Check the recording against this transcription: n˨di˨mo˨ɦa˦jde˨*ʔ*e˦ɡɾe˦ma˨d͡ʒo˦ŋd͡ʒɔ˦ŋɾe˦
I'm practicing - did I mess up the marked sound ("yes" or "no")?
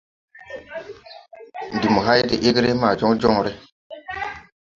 no